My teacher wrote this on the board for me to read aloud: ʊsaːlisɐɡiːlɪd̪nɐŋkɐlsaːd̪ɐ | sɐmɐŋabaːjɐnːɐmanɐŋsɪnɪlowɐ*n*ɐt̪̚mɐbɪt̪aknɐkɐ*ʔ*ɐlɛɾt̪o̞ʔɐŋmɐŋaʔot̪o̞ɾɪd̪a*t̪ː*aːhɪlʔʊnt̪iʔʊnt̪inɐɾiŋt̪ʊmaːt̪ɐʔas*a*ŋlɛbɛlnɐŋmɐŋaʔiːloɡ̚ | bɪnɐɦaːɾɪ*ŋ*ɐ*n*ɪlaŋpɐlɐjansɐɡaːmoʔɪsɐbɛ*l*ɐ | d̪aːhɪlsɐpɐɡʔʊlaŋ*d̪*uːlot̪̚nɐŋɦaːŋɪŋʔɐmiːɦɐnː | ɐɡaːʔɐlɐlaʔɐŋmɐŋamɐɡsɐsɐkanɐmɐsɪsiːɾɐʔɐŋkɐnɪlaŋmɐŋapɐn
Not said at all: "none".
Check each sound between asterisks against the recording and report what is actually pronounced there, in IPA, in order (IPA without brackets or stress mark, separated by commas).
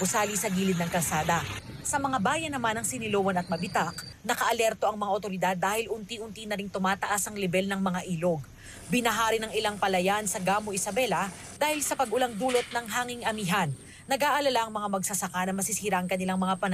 n, ʔ, d̪ː, ɐ, n, ŋ, l, d̪